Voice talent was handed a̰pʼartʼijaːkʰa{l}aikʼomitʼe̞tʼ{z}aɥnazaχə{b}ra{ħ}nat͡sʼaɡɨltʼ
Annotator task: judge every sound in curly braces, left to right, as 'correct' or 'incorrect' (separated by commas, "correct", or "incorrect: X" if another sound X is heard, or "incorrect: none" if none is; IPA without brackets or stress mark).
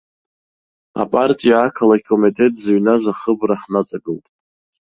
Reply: correct, correct, correct, correct